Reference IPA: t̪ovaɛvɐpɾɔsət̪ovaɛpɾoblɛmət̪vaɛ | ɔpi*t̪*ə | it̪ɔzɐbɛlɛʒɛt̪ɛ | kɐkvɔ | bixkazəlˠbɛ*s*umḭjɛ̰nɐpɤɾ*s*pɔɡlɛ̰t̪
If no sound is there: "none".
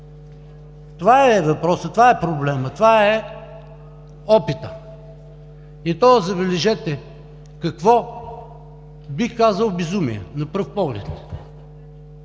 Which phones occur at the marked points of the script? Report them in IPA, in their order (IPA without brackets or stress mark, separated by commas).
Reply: t̪, z, f